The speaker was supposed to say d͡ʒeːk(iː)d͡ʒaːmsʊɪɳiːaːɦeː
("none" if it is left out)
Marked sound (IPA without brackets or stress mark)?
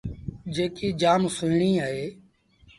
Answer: iː